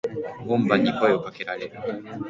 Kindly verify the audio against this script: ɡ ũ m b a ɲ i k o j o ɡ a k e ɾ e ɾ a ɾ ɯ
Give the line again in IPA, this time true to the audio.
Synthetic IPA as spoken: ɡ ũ m b a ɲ i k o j o k a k e ɾ a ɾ e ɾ ɯ